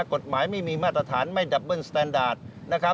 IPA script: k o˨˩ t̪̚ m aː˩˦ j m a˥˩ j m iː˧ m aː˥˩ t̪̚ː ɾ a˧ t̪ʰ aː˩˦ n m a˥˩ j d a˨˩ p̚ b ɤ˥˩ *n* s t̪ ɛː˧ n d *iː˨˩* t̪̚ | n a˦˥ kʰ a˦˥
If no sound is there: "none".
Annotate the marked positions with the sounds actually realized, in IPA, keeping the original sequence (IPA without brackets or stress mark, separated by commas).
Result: n, aː˨˩